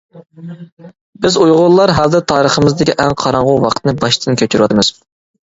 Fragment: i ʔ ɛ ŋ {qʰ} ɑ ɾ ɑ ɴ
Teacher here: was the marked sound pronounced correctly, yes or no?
yes